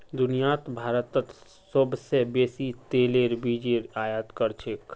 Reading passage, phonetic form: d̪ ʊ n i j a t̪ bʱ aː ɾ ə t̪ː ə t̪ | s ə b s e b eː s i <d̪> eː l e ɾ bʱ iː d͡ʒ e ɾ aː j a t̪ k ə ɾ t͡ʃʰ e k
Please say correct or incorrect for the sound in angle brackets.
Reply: incorrect